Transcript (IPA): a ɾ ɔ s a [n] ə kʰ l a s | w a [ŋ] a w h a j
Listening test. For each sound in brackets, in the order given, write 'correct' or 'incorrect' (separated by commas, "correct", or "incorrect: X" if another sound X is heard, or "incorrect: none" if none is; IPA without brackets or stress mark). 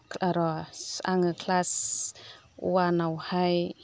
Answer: incorrect: ŋ, incorrect: n